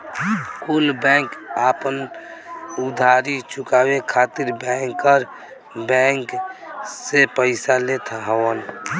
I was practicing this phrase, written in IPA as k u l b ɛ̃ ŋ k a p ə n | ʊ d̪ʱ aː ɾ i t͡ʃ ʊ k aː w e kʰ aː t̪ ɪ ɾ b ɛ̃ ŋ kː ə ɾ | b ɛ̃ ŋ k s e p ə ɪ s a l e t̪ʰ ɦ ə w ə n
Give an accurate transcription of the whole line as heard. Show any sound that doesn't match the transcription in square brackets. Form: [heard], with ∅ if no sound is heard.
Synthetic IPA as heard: k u l b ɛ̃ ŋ k a p ə n | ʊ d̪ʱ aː ɾ i t͡ʃ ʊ k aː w e kʰ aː t̪ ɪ ɾ b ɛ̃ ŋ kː ə ɾ | b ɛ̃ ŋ k s e p ə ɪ s a l e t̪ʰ ɦ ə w ə n